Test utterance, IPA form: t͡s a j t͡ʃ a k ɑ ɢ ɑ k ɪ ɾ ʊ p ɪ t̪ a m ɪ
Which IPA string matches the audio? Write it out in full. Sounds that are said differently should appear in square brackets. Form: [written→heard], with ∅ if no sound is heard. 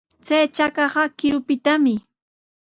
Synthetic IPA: t͡s a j t͡ʃ a k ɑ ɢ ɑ k ɪ ɾ ʊ p ɪ t̪ a m ɪ